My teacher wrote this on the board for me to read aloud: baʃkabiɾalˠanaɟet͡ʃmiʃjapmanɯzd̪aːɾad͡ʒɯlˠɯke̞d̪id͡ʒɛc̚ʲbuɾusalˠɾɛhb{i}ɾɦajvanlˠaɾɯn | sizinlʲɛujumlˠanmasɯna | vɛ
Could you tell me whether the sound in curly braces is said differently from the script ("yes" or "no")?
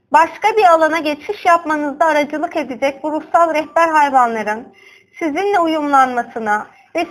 yes